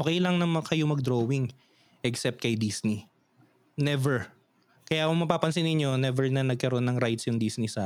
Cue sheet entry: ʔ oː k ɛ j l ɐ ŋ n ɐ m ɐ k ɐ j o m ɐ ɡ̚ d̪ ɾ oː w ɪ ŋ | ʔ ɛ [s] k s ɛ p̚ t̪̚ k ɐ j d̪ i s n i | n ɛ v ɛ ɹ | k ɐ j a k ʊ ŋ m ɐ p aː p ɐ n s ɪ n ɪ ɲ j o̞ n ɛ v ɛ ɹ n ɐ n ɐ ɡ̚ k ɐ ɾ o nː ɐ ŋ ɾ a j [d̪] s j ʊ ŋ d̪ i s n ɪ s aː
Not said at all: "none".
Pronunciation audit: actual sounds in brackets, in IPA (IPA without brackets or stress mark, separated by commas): none, t̪